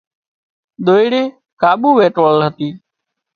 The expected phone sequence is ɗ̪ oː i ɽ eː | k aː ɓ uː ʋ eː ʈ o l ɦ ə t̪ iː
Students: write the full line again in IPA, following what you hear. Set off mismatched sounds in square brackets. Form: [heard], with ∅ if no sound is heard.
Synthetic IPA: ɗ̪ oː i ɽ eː | k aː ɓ uː ʋ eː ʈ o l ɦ ə t̪ iː